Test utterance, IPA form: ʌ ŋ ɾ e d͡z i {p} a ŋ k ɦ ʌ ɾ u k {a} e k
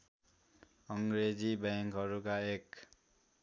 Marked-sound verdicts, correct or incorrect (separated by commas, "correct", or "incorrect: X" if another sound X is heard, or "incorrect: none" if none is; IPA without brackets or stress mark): incorrect: b, correct